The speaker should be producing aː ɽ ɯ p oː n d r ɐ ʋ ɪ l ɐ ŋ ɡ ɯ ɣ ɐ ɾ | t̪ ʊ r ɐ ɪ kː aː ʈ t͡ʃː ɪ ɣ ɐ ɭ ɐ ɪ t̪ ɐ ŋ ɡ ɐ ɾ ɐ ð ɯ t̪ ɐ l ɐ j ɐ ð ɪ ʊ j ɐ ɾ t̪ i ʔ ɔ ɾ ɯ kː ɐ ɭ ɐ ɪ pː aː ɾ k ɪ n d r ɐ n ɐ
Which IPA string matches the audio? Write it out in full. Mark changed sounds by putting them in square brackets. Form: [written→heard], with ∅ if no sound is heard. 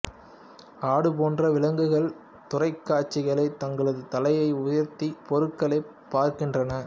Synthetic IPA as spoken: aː ɽ ɯ p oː n d r ɐ ʋ ɪ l ɐ ŋ ɡ ɯ ɣ ɐ [ɾ→ɭ] | t̪ ʊ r ɐ ɪ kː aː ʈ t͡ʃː ɪ ɣ ɐ ɭ ɐ ɪ t̪ ɐ ŋ ɡ ɐ [ɾ→ɭ] ɐ ð ɯ t̪ ɐ l ɐ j ɐ [ð→∅] ɪ ʊ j ɐ ɾ t̪ i [ʔ→p] ɔ ɾ ɯ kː ɐ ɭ ɐ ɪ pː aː ɾ k ɪ n d r ɐ n ɐ

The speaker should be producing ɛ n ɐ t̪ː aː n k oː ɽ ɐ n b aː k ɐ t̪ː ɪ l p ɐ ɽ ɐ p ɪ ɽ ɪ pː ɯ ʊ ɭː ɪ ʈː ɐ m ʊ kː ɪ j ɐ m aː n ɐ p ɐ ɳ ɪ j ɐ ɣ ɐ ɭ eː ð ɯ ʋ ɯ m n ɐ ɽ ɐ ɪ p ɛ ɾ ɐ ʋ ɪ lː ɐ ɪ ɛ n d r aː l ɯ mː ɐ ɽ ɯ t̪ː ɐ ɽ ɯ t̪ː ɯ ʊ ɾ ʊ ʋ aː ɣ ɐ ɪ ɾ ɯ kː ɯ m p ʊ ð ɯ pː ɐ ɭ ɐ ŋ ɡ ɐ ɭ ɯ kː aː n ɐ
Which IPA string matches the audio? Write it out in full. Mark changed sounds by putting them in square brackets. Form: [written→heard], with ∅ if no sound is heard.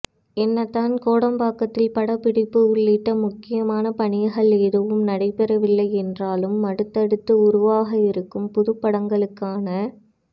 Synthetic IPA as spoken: ɛ [n→nː] ɐ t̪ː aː n k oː ɽ ɐ [n→m] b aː k ɐ t̪ː ɪ l p ɐ ɽ ɐ p ɪ ɽ ɪ pː ɯ ʊ ɭː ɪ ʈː ɐ m ʊ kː ɪ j ɐ m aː n ɐ p ɐ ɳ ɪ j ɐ ɣ ɐ ɭ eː ð ɯ ʋ ɯ m n ɐ ɽ ɐ ɪ p ɛ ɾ ɐ ʋ ɪ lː ɐ ɪ ɛ n d r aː l ɯ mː ɐ ɽ ɯ t̪ː ɐ ɽ ɯ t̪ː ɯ ʊ ɾ ʊ ʋ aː ɣ ɐ ɪ ɾ ɯ kː ɯ m p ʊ ð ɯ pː ɐ [ɭ→ɽ] ɐ ŋ ɡ ɐ ɭ ɯ kː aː n ɐ

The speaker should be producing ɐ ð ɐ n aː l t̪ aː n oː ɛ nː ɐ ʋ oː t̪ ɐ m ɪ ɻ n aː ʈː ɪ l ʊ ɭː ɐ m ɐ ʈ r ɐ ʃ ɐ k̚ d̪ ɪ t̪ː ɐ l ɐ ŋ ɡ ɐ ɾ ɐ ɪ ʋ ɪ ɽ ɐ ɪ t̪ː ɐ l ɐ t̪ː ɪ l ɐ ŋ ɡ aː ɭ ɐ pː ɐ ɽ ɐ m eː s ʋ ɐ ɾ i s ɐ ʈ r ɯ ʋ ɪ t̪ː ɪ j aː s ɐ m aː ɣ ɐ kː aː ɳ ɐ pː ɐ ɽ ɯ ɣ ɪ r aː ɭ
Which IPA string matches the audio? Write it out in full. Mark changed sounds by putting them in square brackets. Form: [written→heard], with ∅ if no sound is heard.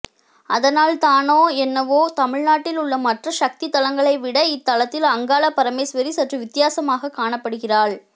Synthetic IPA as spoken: ɐ ð ɐ n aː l t̪ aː n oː ɛ nː ɐ ʋ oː t̪ ɐ m ɪ ɻ n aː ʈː ɪ l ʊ ɭː ɐ m ɐ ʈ r ɐ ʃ ɐ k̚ [d̪→t̪] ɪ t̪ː ɐ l ɐ ŋ ɡ ɐ [ɾ→ɭ] ɐ ɪ ʋ ɪ ɽ ɐ ɪ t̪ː ɐ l ɐ t̪ː ɪ l ɐ ŋ ɡ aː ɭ ɐ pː ɐ [ɽ→ɾ] ɐ m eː s ʋ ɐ ɾ i s ɐ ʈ r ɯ ʋ ɪ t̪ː ɪ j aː s ɐ m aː ɣ ɐ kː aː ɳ ɐ pː ɐ ɽ ɯ ɣ ɪ r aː ɭ

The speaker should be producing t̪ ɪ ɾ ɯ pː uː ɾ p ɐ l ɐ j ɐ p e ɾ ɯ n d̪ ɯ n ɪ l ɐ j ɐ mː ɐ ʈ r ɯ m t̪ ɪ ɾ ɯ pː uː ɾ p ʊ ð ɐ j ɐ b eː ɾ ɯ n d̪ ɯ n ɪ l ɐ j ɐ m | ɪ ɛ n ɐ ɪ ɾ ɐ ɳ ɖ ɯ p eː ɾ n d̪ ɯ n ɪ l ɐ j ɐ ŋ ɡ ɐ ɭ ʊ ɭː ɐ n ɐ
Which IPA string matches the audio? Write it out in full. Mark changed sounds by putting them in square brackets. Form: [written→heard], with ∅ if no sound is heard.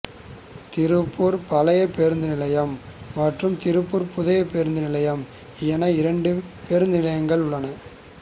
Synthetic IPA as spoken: t̪ ɪ ɾ ɯ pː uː ɾ p ɐ l ɐ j ɐ p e ɾ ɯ n d̪ ɯ n ɪ l ɐ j ɐ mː ɐ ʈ r ɯ m t̪ ɪ ɾ ɯ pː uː ɾ p ʊ ð ɐ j ɐ [b→p] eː ɾ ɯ n d̪ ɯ n ɪ l ɐ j ɐ m | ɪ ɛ n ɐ ɪ ɾ ɐ ɳ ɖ ɯ p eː ɾ n d̪ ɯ n ɪ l ɐ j ɐ ŋ ɡ ɐ ɭ ʊ ɭː ɐ n ɐ

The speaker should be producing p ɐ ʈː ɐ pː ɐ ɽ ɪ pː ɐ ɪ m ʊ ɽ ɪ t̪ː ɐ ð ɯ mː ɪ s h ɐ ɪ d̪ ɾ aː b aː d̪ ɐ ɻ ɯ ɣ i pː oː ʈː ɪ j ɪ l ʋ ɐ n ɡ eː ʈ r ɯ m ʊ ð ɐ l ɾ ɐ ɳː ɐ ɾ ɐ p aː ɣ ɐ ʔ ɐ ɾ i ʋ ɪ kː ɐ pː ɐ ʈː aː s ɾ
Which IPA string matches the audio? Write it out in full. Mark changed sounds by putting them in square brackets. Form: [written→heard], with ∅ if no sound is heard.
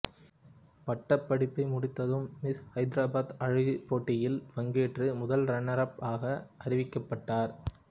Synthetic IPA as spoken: p ɐ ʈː ɐ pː ɐ ɽ ɪ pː ɐ ɪ m ʊ ɽ ɪ t̪ː ɐ ð ɯ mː ɪ s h ɐ ɪ d̪ ɾ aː b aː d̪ ɐ ɻ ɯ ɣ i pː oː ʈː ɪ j ɪ l ʋ ɐ [n→ŋ] ɡ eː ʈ r ɯ m ʊ ð ɐ l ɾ ɐ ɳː ɐ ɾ ɐ p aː ɣ ɐ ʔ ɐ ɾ [i→ɪ] ʋ ɪ kː ɐ pː ɐ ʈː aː [s→∅] ɾ

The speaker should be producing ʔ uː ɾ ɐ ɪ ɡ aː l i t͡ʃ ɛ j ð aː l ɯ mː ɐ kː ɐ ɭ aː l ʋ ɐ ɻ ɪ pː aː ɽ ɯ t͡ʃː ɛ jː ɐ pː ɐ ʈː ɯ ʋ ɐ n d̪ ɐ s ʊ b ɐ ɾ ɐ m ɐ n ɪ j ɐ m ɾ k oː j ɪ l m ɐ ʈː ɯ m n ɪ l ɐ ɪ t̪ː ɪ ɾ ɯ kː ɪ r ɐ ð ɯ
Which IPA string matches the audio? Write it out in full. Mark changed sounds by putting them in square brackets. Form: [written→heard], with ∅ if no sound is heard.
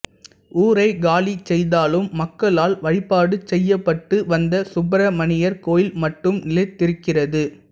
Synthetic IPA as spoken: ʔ uː ɾ ɐ ɪ ɡ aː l i t͡ʃ ɛ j ð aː l ɯ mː ɐ kː ɐ ɭ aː l ʋ ɐ ɻ ɪ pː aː ɽ ɯ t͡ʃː ɛ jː ɐ pː ɐ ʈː ɯ ʋ ɐ n d̪ ɐ s ʊ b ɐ ɾ ɐ m ɐ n ɪ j ɐ [m→∅] ɾ k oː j ɪ l m ɐ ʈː ɯ m n ɪ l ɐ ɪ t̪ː ɪ ɾ ɯ kː ɪ r ɐ ð ɯ

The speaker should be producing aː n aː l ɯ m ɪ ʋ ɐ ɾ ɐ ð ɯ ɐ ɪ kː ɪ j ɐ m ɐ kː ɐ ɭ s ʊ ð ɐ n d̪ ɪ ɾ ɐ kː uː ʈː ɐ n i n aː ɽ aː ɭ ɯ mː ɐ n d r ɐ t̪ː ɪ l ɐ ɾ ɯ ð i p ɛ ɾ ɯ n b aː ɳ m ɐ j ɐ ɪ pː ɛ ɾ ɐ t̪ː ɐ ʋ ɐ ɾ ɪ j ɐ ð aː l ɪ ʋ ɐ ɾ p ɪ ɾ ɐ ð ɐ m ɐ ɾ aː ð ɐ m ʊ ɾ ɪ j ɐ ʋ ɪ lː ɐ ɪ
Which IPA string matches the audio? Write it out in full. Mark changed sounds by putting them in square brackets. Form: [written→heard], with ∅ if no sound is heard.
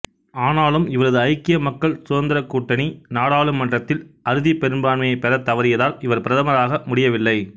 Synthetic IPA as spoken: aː n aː l ɯ m ɪ ʋ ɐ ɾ ɐ ð ɯ ɐ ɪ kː ɪ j ɐ m ɐ kː ɐ ɭ s ʊ ð ɐ n d̪ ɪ ɾ ɐ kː uː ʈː ɐ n i n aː ɽ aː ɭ ɯ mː ɐ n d r ɐ t̪ː ɪ l ɐ ɾ ɯ ð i p ɛ ɾ ɯ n b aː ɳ m ɐ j ɐ ɪ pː ɛ ɾ ɐ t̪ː ɐ ʋ ɐ ɾ ɪ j ɐ ð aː l ɪ ʋ ɐ ɾ p ɪ ɾ ɐ ð ɐ m ɐ ɾ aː [ð→ɣ] ɐ m ʊ [ɾ→ɽ] ɪ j ɐ ʋ ɪ lː ɐ ɪ

